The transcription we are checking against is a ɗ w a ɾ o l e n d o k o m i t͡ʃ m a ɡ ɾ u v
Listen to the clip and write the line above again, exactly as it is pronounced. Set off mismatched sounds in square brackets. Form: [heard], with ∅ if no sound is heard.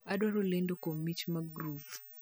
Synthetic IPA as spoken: a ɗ w a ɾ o l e n d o k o m i t͡ʃ m a ɡ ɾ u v

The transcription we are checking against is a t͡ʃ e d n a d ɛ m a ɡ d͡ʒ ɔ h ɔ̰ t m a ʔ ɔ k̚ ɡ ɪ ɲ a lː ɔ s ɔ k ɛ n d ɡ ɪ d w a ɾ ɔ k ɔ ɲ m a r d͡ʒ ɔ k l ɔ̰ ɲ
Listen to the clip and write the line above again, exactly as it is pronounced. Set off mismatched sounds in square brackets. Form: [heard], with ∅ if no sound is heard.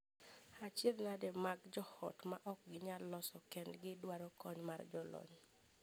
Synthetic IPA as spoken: a t͡ʃ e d n a d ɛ m a ɡ d͡ʒ ɔ h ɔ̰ t m a ʔ ɔ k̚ ɡ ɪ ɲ a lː ɔ s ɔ k ɛ n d ɡ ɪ d w a ɾ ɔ k ɔ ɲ m a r d͡ʒ ɔ [∅] l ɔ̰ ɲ

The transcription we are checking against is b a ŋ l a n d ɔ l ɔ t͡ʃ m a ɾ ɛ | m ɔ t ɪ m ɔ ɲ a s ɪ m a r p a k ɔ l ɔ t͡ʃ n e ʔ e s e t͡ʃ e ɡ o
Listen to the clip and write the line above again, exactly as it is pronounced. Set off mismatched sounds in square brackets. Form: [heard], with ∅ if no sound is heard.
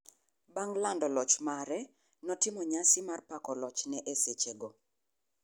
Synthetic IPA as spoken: b a ŋ l a n d ɔ l ɔ t͡ʃ m a ɾ ɛ | [n] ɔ t ɪ m ɔ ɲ a s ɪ m a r p a k ɔ l ɔ t͡ʃ n [ɛ] ʔ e s e t͡ʃ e ɡ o

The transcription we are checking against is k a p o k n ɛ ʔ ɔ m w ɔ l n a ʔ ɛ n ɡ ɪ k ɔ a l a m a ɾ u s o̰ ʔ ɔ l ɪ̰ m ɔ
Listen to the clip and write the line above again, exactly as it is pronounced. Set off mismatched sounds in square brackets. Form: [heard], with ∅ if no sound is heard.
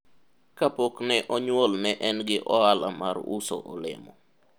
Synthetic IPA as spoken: k a p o k n ɛ ʔ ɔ [ɲ] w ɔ l n [ɛ] ʔ ɛ n ɡ ɪ [ʔ] ɔ a l a m a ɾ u s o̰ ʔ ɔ l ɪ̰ m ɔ

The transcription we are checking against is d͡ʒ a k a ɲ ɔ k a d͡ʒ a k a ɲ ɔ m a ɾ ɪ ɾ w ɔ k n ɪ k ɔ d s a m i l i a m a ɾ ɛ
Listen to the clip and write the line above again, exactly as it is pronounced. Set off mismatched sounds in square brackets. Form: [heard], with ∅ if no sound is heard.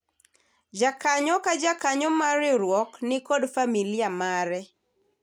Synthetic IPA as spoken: d͡ʒ a k a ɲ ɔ k a d͡ʒ a k a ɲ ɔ m a ɾ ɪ ɾ w ɔ k n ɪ k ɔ d [f] a m i l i a m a ɾ ɛ

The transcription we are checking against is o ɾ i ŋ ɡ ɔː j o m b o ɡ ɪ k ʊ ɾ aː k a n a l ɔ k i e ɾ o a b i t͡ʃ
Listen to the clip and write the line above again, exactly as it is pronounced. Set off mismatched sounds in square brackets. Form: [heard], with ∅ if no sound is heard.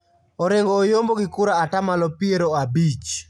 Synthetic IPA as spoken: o ɾ [e] ŋ ɡ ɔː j o m b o ɡ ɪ k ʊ ɾ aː [t] a [m] a l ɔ [p] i e ɾ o a b i t͡ʃ

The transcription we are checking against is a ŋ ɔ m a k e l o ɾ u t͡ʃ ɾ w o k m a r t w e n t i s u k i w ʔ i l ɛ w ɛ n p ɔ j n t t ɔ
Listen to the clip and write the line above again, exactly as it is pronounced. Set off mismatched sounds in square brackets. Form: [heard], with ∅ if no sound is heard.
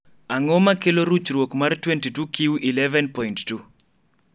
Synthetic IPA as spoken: a ŋ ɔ m a k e l o ɾ u t͡ʃ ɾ w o k m a r t w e n t i [t] u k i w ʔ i l ɛ [v] ɛ n p ɔ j n t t [u]

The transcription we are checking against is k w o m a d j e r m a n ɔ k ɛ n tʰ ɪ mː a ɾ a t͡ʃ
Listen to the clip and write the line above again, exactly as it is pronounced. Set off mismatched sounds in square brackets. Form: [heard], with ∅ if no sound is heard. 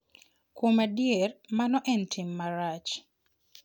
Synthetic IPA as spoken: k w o m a d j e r m a n ɔ [ʔ] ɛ n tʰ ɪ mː a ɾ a t͡ʃ

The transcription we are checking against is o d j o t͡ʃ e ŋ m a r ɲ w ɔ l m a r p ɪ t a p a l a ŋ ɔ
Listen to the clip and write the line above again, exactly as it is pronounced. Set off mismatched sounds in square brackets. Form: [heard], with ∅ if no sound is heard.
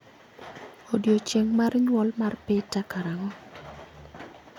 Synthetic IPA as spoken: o d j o t͡ʃ e ŋ m a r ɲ w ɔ l m a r p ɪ t a [k] a [ɾ] a ŋ ɔ

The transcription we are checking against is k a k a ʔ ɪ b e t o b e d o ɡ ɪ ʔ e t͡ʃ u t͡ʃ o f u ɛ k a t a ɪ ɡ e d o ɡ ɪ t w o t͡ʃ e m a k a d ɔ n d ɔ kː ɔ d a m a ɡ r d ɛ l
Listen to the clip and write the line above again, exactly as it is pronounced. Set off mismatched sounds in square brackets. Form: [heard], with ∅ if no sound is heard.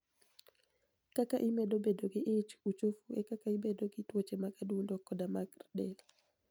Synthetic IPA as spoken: k a k a ʔ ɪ [m] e [d] o b e d o ɡ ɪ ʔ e t͡ʃ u t͡ʃ o f u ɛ k a [k] a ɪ [b] e d o ɡ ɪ t w o t͡ʃ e m a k a d [u] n d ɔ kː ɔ d a m a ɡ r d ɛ l

